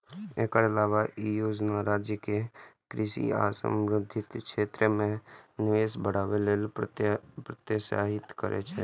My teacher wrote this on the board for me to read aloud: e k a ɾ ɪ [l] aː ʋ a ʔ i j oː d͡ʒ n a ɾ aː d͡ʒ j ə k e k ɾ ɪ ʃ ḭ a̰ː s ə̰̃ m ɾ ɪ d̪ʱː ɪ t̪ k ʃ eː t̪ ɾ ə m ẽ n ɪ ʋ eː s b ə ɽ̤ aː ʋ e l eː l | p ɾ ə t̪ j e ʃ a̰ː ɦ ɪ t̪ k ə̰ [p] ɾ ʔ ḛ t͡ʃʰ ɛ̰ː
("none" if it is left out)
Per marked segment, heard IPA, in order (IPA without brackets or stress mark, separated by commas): l, none